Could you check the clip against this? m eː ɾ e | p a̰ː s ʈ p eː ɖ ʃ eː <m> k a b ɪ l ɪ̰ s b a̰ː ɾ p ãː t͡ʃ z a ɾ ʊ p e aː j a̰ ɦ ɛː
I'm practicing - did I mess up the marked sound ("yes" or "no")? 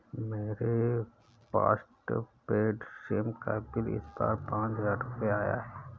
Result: no